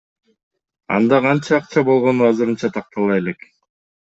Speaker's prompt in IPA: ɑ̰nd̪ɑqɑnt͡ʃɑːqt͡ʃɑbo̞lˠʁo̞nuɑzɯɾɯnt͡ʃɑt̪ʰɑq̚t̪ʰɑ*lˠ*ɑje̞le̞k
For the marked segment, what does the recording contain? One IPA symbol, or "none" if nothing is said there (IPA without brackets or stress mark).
lˠ